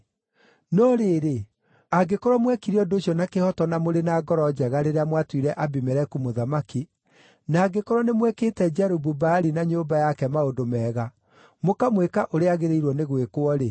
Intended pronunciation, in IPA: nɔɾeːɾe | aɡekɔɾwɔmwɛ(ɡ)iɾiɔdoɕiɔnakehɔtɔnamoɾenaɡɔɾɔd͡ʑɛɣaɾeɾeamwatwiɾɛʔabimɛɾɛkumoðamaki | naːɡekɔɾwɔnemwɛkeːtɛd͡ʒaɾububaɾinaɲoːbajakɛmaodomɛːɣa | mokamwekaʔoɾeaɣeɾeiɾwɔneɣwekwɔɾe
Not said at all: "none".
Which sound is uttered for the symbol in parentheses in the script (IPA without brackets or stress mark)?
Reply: k